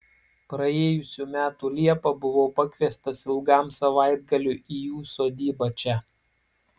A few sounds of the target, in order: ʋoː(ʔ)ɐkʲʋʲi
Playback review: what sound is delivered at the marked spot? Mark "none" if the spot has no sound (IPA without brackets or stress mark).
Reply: p